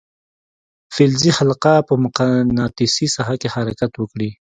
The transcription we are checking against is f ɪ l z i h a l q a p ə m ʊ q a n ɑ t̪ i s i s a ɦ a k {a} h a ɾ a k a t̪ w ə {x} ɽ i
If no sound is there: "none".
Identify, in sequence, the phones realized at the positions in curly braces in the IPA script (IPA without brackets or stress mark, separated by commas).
e, k